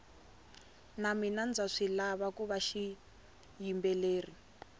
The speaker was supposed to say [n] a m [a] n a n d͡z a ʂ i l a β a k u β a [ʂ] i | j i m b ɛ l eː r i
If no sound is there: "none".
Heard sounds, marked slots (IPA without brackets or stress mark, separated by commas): n, i, ʃ